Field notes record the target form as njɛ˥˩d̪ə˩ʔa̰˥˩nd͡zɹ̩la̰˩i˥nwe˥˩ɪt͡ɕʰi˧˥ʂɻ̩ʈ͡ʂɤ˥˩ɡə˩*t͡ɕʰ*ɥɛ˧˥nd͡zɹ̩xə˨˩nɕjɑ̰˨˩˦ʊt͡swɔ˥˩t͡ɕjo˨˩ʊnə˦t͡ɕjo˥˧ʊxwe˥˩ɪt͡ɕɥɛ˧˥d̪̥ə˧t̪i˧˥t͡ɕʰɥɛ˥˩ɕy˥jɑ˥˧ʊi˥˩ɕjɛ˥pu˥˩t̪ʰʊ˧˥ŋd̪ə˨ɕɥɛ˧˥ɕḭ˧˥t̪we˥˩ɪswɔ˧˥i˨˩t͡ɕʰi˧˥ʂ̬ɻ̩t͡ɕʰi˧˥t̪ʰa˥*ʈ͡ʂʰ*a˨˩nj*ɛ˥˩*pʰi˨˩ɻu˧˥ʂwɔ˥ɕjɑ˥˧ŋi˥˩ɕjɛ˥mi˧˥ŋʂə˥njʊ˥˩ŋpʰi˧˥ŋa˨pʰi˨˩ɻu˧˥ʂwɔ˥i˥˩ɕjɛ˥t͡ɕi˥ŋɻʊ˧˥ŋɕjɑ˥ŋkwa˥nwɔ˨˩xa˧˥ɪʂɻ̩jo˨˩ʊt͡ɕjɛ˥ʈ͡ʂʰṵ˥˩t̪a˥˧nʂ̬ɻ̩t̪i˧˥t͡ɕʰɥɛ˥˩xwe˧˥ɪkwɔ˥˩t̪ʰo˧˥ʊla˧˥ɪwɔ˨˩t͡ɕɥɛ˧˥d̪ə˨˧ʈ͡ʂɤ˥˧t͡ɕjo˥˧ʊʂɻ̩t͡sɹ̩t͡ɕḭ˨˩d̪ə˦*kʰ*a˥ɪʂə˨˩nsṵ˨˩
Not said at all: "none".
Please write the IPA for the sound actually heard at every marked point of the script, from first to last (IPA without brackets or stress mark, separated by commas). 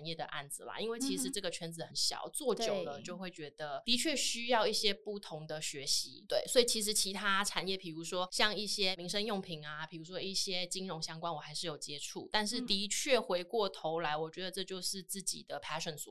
t͡ɕʰ, ʈ͡ʂʰ, ɛ˥˩, pʰ